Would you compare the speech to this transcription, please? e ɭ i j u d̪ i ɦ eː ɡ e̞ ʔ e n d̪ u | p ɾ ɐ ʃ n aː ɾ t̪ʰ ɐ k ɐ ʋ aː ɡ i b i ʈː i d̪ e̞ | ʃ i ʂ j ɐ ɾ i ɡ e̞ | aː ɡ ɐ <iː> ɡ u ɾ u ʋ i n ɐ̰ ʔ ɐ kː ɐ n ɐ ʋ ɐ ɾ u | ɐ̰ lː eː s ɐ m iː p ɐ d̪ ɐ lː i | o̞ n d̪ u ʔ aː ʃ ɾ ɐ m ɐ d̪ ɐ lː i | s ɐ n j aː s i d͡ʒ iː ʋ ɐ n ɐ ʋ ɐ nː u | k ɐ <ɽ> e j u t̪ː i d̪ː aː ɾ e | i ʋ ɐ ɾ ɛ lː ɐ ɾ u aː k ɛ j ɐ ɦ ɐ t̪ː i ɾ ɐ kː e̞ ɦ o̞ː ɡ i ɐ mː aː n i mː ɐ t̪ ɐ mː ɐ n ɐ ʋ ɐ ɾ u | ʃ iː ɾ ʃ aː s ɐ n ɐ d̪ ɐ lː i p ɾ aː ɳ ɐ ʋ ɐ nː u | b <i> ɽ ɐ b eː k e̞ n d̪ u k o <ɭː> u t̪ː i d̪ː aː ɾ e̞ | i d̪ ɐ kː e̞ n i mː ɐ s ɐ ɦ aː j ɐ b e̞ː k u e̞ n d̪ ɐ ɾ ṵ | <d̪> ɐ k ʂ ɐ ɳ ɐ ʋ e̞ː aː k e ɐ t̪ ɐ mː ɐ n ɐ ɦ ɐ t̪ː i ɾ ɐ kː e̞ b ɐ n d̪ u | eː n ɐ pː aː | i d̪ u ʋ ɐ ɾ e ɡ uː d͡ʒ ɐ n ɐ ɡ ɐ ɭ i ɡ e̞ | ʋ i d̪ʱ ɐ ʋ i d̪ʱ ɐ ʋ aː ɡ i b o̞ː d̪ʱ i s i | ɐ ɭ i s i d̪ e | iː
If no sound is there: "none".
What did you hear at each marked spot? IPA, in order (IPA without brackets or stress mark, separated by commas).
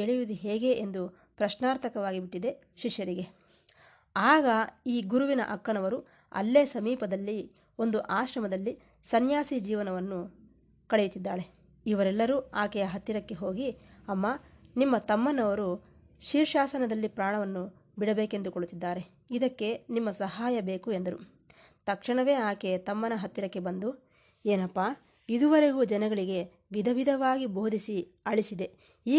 iː, ɭ, i, ɭ, t̪